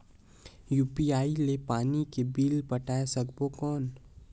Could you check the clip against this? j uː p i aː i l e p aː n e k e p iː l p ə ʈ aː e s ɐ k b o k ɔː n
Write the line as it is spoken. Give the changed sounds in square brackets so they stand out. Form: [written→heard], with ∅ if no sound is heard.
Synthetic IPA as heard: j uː p i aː i l e p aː n [e→i] k e [p→b] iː l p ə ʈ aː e s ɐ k b o k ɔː n